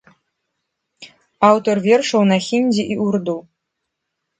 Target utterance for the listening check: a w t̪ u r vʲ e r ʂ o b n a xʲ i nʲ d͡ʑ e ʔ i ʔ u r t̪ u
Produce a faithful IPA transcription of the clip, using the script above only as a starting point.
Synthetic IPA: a w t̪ o r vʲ e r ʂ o w n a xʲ i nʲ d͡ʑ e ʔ i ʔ u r d̪ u